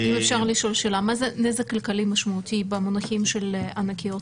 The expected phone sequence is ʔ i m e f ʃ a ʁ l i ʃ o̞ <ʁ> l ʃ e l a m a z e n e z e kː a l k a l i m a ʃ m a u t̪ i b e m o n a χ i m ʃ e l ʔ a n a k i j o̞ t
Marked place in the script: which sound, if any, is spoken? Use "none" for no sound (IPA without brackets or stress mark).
none